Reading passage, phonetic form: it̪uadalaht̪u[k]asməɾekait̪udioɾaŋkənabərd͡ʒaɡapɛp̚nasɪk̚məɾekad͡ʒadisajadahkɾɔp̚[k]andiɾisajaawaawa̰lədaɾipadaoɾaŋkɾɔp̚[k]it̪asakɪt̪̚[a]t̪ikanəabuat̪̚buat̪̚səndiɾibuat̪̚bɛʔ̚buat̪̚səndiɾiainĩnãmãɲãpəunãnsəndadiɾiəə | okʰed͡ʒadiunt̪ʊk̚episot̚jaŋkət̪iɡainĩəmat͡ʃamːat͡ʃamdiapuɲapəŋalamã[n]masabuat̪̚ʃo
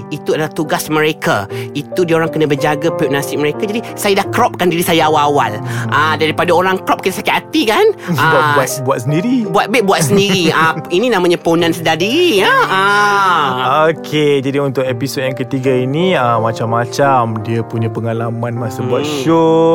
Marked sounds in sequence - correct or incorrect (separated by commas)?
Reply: incorrect, correct, correct, correct, correct